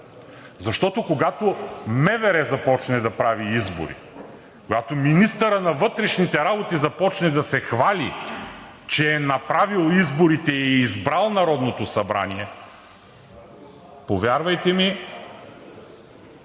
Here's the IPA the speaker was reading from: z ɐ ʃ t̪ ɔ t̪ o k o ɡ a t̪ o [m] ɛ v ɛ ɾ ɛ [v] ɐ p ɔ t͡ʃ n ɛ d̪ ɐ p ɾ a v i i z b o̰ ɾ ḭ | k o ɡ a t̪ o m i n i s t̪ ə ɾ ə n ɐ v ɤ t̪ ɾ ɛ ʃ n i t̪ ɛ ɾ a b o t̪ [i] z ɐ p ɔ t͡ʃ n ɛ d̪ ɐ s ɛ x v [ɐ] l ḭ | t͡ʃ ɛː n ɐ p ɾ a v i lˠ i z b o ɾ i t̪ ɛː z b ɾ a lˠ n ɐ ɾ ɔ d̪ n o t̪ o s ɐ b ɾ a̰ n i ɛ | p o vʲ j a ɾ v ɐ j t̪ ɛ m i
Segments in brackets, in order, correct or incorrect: correct, incorrect: z, correct, incorrect: a

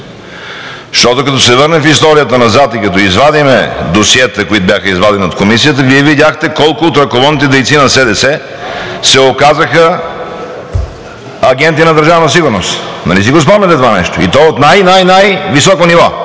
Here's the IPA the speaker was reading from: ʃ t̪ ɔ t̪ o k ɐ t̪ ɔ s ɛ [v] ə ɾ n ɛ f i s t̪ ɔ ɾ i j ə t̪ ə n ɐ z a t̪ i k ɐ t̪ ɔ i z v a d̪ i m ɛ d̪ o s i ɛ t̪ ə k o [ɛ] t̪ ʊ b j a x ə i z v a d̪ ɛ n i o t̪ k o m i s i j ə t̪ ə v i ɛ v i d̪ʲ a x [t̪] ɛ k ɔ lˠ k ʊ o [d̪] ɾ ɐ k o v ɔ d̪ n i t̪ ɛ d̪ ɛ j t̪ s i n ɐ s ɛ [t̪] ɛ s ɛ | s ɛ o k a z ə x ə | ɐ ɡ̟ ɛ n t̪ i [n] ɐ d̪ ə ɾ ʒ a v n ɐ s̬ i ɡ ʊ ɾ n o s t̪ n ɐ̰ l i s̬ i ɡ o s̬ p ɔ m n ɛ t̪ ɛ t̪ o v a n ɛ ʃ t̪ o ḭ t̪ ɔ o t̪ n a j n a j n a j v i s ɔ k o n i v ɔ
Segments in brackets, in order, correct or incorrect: correct, incorrect: i, correct, incorrect: t̪, incorrect: d̪, correct

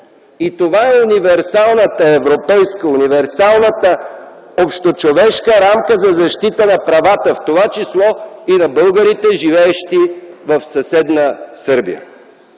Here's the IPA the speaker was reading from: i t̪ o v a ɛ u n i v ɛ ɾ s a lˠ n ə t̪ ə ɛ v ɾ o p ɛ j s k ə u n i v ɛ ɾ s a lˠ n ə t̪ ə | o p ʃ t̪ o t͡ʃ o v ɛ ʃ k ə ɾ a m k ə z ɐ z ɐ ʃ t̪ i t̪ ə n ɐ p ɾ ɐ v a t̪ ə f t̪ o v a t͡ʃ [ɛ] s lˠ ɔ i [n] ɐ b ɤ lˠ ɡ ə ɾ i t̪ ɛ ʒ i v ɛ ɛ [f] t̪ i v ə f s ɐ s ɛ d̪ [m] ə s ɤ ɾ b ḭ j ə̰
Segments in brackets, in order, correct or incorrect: incorrect: i, correct, incorrect: ʃ, incorrect: n

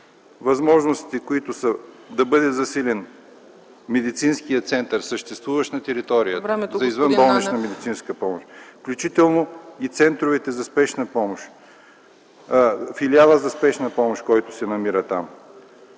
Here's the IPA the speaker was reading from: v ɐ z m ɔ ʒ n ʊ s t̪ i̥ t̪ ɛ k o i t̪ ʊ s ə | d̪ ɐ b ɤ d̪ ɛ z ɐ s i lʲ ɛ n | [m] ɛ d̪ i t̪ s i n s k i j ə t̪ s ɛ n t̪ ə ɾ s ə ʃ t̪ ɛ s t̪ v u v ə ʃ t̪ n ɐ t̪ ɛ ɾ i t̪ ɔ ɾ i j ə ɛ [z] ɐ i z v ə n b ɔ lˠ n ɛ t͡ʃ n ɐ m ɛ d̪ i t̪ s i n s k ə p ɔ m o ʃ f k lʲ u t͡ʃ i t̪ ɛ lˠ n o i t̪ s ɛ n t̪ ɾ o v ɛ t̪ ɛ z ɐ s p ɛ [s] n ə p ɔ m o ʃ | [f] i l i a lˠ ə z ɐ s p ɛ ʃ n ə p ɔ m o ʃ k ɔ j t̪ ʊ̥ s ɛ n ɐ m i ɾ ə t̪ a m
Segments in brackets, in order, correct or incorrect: correct, correct, incorrect: ʃ, correct

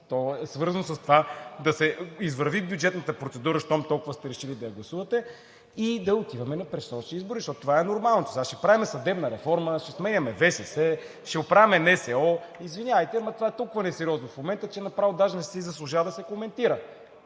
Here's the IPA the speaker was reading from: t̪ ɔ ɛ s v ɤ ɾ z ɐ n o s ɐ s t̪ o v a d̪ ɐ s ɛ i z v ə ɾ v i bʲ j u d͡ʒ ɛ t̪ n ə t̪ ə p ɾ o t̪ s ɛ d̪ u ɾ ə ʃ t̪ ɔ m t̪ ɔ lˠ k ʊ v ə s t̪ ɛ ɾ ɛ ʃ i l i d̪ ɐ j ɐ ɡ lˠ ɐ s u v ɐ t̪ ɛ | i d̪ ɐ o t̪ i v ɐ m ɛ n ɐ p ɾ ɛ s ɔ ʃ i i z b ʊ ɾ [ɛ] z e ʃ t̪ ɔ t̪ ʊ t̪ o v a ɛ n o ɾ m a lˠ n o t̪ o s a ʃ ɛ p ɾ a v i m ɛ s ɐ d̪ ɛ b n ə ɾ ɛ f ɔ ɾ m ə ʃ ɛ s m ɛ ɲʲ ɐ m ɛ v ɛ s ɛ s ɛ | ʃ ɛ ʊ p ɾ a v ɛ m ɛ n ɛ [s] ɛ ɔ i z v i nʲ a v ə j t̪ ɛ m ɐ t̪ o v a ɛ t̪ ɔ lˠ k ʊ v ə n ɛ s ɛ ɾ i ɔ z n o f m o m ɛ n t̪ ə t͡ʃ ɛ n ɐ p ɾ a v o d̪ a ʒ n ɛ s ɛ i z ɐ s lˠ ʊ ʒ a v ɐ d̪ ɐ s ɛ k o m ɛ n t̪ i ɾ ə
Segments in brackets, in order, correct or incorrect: incorrect: i, correct

